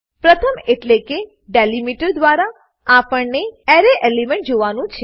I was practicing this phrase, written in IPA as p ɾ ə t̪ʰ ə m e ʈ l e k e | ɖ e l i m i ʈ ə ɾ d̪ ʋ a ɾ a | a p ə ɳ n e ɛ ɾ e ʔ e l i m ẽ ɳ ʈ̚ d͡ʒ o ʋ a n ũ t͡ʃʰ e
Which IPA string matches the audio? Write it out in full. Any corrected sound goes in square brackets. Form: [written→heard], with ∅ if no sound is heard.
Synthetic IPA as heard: p ɾ ə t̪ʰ ə m e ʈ l e k e | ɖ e l i m i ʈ ə ɾ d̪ ʋ a ɾ a | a p ə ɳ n e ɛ ɾ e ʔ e l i m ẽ ɳ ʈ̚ d͡ʒ o ʋ a n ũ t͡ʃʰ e